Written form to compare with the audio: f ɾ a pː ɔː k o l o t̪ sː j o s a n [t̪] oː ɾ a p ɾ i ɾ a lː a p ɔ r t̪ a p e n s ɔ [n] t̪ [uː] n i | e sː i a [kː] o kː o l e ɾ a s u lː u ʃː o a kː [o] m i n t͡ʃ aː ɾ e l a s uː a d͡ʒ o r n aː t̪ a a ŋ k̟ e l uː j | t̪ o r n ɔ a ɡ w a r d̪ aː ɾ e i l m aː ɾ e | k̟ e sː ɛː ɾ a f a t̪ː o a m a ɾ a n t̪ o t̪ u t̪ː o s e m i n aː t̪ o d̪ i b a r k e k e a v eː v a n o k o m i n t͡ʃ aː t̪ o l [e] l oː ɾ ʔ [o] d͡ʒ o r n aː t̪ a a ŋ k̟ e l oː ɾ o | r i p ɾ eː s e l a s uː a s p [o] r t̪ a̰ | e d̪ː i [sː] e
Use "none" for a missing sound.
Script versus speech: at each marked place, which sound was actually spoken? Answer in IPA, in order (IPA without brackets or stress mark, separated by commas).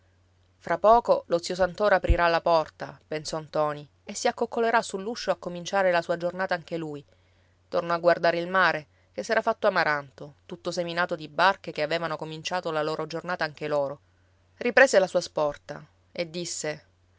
t̪, n, ɔː, kː, o, a, o, ɔ, sː